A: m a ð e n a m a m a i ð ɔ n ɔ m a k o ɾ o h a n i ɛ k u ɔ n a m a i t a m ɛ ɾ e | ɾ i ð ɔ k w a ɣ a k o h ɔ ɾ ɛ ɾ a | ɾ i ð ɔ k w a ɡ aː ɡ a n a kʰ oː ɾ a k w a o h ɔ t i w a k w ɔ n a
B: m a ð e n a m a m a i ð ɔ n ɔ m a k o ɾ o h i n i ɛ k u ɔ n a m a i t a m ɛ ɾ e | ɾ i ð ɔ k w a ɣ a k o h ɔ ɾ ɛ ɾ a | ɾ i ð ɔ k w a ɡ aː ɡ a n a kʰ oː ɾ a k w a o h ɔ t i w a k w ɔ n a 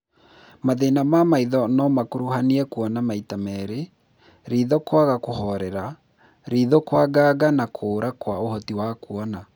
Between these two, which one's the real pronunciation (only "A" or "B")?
A